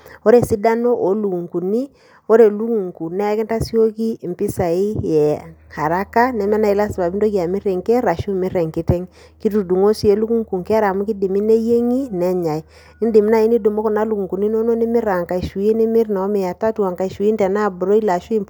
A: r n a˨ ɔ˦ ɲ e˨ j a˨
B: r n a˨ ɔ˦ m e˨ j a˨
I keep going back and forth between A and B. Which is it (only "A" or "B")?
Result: B